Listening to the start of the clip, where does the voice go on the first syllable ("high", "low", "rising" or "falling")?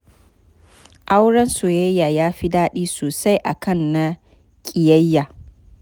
high